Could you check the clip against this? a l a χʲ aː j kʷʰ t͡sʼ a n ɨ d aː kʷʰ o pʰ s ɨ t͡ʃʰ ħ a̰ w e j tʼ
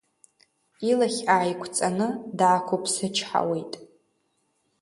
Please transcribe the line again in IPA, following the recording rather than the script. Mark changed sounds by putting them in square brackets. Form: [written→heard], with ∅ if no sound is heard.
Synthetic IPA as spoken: [a→i] l a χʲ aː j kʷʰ t͡sʼ a n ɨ d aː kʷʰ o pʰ s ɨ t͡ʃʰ ħ a̰ w e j tʼ